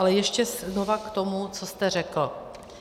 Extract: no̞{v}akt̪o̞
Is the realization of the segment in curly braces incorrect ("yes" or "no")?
no